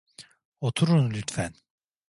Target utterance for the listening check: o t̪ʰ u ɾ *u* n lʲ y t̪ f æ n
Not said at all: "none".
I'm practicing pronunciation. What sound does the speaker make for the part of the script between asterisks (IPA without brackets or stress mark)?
u